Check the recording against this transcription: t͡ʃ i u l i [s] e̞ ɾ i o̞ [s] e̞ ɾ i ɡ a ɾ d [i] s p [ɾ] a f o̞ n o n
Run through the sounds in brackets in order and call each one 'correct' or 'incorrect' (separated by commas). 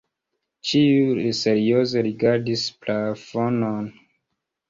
correct, incorrect, correct, incorrect